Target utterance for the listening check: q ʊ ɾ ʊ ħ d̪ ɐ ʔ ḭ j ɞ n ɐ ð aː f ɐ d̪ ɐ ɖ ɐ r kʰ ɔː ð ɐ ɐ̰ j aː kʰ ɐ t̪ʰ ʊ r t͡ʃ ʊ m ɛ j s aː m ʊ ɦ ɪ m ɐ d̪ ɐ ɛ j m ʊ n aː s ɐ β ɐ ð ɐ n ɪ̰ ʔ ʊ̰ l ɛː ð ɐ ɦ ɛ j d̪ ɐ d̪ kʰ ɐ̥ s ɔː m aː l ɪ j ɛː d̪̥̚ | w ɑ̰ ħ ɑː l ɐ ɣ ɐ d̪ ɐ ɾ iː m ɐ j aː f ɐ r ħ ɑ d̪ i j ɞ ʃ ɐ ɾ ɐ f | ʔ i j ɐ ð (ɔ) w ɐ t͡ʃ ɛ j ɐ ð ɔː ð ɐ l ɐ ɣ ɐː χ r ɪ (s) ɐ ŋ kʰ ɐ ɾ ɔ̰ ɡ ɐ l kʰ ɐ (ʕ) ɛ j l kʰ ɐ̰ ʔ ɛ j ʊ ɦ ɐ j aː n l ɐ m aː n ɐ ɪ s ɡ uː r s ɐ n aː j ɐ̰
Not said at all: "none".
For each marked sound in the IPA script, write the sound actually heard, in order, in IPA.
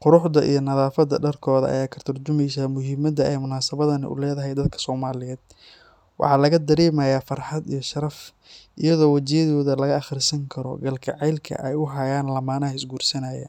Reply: ɔː, s, ʕ

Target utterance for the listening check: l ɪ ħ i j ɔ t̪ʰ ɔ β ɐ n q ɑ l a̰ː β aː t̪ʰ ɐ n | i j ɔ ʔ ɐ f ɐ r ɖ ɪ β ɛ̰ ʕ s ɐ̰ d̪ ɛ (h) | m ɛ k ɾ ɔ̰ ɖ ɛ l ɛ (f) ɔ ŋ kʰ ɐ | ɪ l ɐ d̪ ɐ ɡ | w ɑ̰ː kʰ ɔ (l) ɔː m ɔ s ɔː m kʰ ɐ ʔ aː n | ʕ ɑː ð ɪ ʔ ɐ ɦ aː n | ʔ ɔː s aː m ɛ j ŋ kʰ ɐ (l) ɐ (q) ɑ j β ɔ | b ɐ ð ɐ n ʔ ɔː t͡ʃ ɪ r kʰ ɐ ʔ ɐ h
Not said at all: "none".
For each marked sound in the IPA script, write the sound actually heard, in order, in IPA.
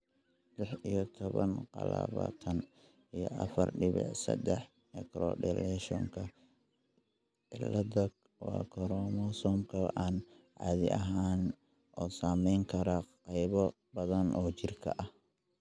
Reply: ħ, ʃ, ɾ, ɾ, q

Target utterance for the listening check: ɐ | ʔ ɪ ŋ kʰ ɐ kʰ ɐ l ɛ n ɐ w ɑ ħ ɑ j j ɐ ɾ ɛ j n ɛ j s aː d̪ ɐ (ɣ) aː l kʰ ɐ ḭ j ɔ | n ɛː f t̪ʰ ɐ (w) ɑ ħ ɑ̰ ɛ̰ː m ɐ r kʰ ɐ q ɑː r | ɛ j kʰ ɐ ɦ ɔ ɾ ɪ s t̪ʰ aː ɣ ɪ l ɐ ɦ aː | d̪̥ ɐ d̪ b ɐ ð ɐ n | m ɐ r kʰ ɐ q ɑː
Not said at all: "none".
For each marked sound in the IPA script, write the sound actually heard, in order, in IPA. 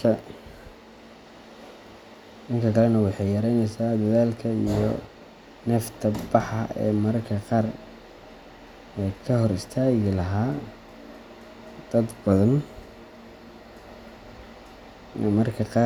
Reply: ð, b

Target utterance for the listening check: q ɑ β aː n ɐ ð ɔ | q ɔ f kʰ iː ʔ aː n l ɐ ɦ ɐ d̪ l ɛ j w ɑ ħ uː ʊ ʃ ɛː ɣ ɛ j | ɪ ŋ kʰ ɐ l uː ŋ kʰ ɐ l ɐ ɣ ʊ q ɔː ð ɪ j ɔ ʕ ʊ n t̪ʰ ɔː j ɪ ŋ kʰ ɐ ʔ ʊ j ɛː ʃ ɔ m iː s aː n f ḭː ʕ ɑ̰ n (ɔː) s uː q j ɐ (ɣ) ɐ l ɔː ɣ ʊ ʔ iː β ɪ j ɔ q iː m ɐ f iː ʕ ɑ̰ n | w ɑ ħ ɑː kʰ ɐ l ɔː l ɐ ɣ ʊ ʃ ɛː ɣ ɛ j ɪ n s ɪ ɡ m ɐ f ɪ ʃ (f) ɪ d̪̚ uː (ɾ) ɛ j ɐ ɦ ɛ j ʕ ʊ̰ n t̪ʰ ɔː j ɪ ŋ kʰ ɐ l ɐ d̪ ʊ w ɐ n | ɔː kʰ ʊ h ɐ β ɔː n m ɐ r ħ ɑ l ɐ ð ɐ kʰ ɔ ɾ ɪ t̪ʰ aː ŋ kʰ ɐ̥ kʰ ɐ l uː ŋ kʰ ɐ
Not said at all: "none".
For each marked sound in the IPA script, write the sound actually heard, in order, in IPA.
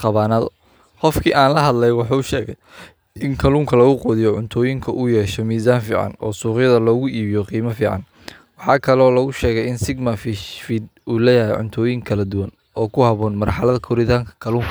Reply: ɔː, ð, f, l

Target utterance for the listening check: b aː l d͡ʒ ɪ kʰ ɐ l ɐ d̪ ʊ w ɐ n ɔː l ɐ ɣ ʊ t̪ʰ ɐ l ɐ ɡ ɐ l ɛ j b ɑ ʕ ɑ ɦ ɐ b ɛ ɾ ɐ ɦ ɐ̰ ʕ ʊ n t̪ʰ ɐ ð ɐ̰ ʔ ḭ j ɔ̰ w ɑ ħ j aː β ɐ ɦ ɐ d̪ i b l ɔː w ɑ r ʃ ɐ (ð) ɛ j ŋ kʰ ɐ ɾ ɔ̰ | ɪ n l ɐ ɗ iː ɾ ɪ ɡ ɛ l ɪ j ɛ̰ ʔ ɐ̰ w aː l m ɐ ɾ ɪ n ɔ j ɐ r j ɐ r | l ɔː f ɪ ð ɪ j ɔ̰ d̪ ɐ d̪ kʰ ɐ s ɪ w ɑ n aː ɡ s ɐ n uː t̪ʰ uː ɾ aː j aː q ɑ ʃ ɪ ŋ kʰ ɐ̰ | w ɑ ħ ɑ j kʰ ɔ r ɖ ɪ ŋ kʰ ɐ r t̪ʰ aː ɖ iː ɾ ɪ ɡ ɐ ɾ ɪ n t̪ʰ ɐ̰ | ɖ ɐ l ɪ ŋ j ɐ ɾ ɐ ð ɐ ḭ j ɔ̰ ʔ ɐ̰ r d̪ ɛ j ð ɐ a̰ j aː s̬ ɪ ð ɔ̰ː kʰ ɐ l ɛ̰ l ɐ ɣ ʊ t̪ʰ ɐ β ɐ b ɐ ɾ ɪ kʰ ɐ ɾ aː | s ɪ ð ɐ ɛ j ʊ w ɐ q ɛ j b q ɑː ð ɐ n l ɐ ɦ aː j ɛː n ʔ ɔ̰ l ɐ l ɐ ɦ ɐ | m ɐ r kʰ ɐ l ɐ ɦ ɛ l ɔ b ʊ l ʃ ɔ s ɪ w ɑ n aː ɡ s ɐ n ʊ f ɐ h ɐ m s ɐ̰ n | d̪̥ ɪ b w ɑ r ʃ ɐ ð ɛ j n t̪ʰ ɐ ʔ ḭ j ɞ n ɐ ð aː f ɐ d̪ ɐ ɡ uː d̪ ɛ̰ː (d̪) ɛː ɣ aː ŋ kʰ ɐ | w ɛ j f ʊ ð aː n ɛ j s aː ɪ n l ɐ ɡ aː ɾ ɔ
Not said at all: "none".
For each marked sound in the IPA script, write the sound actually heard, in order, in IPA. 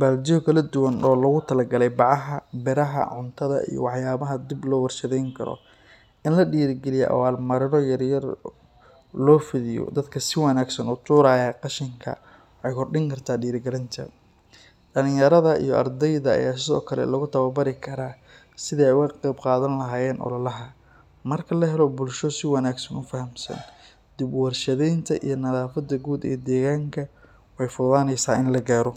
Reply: ð, d̪

